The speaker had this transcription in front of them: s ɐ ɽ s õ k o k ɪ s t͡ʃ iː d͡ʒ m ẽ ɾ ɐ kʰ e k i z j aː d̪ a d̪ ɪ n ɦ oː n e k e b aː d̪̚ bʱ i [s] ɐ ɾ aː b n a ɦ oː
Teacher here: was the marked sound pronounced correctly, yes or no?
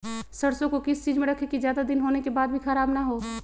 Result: no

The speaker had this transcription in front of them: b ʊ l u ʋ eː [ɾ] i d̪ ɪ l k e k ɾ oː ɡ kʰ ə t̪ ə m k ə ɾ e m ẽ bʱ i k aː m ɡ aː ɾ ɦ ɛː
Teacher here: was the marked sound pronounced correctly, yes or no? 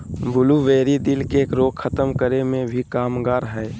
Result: yes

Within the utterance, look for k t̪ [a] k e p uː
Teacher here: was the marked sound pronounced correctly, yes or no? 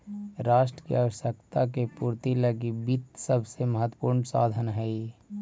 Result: yes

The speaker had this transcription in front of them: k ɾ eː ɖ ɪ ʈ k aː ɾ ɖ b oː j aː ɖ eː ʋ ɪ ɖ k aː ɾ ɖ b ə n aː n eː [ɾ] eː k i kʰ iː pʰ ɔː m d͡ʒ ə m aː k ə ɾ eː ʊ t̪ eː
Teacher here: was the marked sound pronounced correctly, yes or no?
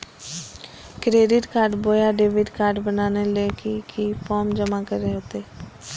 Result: no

